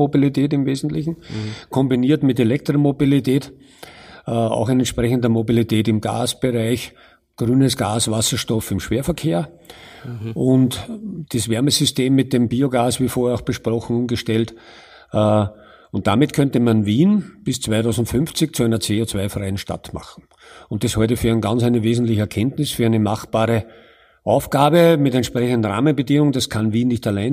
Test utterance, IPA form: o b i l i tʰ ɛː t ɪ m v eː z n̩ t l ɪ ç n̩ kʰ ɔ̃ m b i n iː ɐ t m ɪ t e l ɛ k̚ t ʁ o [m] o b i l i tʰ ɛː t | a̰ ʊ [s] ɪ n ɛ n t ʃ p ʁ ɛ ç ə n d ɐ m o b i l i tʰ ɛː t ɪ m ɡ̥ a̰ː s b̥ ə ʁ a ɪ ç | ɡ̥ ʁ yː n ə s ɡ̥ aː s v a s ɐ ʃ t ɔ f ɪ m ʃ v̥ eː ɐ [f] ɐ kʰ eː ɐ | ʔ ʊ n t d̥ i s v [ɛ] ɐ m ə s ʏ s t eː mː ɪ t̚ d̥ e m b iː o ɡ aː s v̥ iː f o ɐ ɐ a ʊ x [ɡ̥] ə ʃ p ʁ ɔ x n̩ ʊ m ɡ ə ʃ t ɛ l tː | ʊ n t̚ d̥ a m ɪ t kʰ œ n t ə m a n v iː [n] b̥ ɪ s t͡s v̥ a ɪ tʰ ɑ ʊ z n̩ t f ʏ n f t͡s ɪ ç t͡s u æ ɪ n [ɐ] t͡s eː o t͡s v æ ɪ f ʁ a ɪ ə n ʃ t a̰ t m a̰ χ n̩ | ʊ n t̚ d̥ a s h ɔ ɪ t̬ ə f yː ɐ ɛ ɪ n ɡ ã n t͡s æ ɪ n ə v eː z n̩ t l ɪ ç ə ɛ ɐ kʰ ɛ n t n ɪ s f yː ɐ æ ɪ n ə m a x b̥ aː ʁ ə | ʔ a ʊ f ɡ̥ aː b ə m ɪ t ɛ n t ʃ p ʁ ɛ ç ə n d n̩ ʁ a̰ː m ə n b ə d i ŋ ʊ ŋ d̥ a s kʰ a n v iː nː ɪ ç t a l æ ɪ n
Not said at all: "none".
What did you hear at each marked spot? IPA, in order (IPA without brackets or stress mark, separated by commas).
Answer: m, x, f, ɛ, b̥, n, ɐ